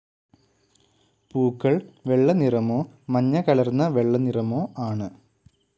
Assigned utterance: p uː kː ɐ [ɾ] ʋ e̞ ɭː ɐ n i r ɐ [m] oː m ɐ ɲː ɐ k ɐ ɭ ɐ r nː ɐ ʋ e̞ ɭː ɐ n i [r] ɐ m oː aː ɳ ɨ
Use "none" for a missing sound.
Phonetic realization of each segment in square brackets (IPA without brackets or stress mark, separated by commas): ɭ, m, r